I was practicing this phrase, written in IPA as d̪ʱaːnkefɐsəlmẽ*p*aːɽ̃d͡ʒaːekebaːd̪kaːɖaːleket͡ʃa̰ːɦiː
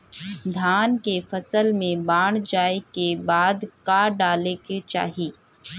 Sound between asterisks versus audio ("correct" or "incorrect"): incorrect